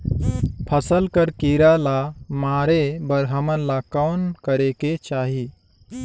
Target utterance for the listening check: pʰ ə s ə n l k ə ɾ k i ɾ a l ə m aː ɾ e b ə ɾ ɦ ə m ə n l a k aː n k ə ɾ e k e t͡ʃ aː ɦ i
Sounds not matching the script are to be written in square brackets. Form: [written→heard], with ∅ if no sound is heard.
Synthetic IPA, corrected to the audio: pʰ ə s ə [n→∅] l k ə ɾ k i ɾ a l [ə→a] m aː ɾ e b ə ɾ ɦ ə m ə n l a k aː n k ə ɾ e k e t͡ʃ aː ɦ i